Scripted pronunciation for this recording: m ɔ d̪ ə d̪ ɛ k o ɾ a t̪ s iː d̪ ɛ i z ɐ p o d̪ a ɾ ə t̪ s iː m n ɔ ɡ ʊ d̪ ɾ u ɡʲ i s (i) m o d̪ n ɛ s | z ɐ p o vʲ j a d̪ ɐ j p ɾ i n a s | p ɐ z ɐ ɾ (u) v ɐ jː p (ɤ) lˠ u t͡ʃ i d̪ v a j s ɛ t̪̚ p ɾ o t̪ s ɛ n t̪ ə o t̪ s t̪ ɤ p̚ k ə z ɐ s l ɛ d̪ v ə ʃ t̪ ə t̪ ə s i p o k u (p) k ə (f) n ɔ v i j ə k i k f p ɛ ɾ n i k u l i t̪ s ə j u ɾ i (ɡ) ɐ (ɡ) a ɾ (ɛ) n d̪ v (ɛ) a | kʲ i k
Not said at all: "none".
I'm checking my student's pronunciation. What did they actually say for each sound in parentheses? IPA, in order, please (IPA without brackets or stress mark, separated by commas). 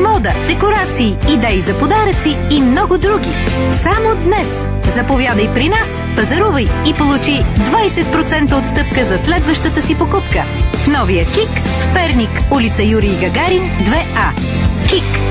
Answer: a, u, o, p, f, ɡ, ɡ, i, ɛ